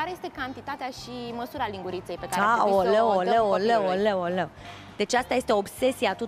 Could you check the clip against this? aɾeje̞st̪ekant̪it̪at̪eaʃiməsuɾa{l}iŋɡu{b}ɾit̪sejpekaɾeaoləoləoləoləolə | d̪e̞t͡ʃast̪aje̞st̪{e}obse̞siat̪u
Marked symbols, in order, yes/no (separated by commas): yes, no, yes